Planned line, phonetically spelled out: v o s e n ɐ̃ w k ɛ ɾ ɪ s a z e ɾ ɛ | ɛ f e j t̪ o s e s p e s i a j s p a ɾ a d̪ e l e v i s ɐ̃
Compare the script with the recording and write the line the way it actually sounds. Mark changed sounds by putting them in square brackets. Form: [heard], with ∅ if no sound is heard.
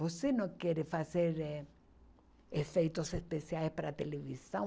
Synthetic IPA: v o s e n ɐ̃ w k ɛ ɾ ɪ [f] a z e ɾ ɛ | [e] f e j t̪ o s e s p e s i a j s p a ɾ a [t̪] e l e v i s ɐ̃